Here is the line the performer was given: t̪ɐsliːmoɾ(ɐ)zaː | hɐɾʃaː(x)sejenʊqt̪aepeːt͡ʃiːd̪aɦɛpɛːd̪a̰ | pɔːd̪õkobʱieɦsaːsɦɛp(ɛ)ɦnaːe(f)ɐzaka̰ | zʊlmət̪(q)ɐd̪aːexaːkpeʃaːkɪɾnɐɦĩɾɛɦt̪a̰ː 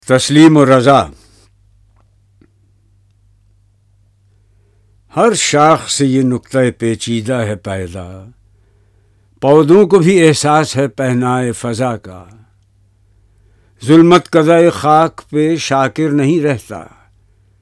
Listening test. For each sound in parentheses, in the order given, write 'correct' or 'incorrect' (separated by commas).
correct, correct, correct, correct, incorrect